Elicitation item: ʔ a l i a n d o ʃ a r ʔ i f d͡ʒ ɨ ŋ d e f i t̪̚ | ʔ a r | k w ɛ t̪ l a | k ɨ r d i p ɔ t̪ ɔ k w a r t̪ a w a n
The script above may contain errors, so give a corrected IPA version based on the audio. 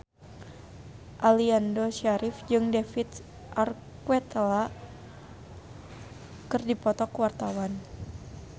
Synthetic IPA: ʔ a l i a n d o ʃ a ɾ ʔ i f d͡ʒ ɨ ŋ d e f i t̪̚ | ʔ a r | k w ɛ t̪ l a | k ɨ r d i p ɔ t̪ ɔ k w a r t̪ a w a n